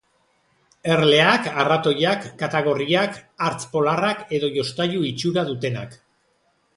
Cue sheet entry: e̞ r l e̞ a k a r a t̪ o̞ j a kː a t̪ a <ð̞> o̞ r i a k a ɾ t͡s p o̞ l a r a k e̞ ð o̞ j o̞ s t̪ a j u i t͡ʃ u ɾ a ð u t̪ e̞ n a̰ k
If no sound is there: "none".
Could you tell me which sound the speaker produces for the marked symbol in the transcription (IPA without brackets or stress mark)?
ɣ̞